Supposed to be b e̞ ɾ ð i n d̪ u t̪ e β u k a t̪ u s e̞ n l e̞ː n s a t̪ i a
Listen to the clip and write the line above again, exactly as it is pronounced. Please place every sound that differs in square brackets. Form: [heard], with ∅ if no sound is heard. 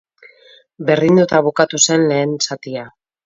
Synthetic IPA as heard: b e̞ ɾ ð i n d̪ u t̪ [a] β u k a t̪ u s e̞ n l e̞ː n s a t̪ i a